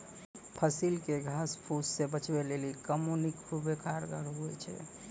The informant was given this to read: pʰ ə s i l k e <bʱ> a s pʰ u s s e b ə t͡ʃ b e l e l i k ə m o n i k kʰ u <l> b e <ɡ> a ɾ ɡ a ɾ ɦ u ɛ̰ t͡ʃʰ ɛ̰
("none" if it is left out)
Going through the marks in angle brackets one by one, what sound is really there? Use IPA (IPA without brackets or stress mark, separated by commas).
ɡʱ, none, k